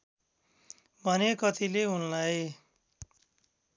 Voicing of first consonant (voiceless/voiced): voiced